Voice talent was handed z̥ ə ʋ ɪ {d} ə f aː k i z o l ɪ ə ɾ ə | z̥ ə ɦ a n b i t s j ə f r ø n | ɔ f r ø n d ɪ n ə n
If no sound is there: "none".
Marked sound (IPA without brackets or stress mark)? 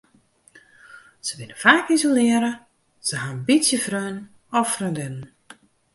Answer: n